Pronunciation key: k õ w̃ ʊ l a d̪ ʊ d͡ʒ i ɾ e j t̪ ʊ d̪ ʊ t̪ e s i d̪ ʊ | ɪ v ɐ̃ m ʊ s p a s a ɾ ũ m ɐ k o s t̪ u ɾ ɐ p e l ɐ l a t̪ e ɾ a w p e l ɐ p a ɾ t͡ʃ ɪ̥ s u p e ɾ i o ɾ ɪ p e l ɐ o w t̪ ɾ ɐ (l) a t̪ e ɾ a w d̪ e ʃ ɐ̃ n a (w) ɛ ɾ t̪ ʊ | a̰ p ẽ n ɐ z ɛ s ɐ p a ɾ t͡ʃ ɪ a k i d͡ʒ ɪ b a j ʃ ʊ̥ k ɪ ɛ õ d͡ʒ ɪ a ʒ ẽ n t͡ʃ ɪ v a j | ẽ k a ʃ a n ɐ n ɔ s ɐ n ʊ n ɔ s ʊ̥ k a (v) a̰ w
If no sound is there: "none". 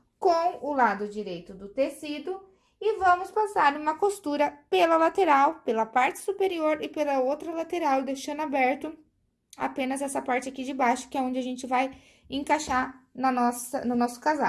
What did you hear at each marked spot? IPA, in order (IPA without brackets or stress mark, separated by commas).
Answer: l, b, z